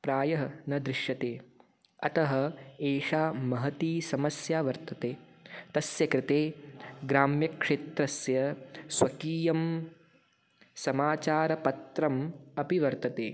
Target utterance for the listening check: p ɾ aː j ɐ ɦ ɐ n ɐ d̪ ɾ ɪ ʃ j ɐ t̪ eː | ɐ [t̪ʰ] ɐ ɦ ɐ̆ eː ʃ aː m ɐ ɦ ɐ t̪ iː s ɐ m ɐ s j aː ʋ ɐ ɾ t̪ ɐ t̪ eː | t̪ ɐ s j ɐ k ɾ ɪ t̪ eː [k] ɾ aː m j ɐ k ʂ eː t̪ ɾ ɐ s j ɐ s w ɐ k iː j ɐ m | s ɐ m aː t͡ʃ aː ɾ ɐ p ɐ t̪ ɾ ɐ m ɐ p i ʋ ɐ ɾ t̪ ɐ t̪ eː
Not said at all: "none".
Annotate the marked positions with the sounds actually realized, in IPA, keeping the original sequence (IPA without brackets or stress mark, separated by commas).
t̪, ɡ